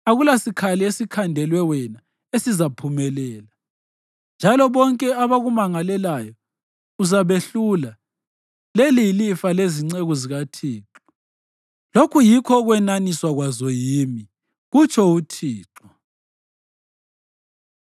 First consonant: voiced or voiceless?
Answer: voiced